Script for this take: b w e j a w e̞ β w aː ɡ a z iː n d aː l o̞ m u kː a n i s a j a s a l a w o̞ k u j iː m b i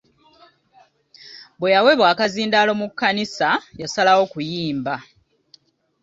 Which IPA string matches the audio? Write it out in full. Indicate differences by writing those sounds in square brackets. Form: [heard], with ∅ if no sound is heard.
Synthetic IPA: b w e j a w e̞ β w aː [k] a z iː n d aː l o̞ m u kː a n i s a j a s a l a w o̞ k u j iː m b [a]